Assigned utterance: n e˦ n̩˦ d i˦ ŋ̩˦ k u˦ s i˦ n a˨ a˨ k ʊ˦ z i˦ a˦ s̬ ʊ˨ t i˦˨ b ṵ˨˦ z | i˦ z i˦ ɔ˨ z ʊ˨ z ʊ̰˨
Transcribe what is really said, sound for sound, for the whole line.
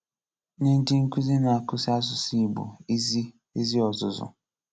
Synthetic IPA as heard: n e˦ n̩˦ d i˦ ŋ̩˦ k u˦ z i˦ n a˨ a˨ k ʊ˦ s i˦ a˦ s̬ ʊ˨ s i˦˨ b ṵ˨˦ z | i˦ z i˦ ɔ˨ z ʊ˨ z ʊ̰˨